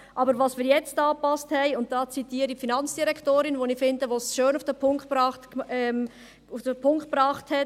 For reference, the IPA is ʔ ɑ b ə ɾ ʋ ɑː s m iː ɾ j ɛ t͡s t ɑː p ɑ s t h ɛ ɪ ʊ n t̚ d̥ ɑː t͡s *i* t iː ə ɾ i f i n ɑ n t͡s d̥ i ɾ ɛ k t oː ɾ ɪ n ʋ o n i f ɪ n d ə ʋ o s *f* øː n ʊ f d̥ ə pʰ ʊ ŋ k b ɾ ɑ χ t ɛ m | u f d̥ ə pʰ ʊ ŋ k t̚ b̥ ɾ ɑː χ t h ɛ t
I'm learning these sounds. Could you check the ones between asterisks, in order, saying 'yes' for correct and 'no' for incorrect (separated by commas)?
yes, no